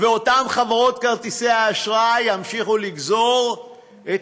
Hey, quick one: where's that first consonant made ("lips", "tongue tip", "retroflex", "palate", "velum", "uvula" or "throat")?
lips